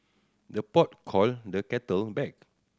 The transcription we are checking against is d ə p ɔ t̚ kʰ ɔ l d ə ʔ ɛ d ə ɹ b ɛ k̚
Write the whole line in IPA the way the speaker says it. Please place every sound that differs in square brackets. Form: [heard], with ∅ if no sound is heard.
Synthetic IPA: d ə p ɔ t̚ kʰ ɔ l d ə [k] ɛ [t] ə [l] b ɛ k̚